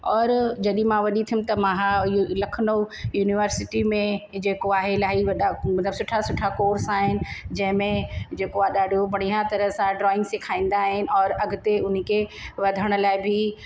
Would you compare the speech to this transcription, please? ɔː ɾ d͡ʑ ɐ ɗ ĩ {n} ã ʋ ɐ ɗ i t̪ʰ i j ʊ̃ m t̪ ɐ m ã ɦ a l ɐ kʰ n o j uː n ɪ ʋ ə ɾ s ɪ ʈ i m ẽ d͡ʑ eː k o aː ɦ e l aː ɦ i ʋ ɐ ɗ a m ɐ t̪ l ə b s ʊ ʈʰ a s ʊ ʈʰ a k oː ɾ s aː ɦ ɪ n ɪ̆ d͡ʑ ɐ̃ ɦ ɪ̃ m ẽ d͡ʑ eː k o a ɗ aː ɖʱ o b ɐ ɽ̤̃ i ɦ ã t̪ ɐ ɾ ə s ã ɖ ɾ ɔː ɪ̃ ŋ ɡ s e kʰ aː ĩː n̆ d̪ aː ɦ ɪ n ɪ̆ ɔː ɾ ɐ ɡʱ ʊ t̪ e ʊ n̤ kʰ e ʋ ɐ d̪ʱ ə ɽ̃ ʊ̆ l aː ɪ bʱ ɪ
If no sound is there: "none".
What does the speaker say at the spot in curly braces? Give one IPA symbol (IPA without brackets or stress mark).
m